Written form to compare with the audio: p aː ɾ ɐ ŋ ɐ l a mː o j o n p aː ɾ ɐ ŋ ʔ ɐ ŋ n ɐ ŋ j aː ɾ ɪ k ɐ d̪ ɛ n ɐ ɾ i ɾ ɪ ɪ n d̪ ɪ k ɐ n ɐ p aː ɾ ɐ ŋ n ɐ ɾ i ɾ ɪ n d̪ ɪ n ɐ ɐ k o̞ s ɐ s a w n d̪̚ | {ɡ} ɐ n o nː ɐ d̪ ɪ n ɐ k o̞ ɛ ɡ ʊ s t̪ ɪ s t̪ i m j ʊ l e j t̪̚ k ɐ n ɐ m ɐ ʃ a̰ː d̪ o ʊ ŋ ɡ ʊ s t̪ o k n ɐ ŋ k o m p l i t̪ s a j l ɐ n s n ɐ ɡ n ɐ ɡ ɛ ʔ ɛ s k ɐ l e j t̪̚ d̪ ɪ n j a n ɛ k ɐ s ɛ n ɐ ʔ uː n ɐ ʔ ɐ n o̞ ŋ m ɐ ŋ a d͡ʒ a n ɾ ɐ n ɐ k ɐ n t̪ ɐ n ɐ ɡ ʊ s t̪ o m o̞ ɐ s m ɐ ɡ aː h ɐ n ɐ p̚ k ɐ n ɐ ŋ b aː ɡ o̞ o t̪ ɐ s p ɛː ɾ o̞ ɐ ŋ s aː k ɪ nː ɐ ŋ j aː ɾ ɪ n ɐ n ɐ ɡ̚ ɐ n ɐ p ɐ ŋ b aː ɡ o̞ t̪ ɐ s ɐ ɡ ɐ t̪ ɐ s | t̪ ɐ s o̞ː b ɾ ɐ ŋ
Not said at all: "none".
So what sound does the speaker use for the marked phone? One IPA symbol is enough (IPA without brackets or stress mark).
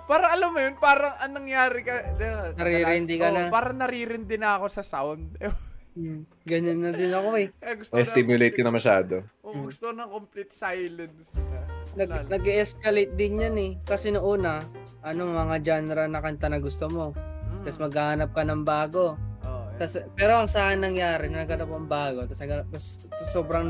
ɡ